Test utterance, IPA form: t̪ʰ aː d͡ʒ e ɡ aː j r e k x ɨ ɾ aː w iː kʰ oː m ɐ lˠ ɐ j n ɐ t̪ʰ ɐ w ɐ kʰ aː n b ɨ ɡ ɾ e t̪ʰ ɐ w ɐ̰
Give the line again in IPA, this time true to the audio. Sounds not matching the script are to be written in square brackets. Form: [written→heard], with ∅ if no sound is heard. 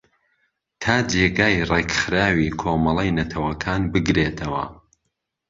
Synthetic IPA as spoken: t̪ʰ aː d͡ʒ e ɡ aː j r e k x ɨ ɾ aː w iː kʰ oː m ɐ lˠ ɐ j n ɐ t̪ʰ ɐ w ɐ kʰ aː n b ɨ ɡ ɾ e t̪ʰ ɐ w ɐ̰